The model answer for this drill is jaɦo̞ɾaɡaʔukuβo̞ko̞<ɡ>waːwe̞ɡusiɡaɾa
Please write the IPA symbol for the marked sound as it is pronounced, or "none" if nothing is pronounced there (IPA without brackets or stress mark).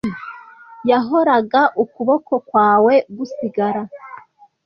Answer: k